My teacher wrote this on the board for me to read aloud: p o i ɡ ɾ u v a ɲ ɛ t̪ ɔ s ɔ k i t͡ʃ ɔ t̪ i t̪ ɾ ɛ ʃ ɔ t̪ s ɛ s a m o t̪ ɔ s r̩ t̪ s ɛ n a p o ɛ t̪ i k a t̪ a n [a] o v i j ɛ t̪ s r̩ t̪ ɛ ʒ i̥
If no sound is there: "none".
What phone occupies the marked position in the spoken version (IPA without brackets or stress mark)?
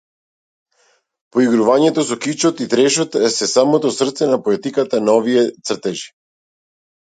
a